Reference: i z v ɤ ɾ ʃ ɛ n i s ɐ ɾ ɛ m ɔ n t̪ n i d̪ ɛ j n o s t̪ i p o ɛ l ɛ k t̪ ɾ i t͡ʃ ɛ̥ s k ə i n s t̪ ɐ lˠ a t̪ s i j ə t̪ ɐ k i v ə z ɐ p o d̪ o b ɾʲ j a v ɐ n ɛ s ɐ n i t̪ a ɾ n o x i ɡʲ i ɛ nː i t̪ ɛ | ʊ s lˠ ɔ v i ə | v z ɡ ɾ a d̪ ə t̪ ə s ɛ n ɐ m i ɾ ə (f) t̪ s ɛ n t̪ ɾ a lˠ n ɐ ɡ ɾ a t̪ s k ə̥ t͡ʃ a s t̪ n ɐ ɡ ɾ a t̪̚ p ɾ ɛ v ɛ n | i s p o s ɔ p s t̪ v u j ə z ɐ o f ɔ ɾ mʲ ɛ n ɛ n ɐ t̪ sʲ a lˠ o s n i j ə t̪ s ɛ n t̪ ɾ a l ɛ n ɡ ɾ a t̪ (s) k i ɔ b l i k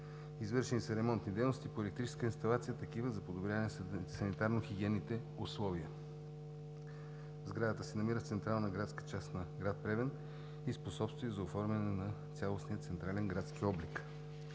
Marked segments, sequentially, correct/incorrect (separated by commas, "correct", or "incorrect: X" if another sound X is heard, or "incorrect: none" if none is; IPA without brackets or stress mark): correct, correct